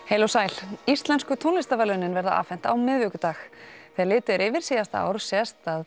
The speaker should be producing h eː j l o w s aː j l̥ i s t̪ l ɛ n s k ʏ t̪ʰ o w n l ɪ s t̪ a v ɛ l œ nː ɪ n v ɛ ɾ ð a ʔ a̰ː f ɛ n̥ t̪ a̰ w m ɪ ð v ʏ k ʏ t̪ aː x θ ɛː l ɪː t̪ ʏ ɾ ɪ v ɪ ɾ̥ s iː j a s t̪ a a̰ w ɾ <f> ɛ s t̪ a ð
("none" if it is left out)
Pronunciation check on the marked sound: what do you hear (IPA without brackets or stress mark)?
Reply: s